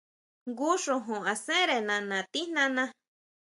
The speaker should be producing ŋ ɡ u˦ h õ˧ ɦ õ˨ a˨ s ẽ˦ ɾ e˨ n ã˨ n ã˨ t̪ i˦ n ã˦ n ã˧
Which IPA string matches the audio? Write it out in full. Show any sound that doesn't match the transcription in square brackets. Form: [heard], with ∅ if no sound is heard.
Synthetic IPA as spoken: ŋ ɡ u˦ [ʂ] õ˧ ɦ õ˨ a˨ s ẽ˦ ɾ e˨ n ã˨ n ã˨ t̪ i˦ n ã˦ n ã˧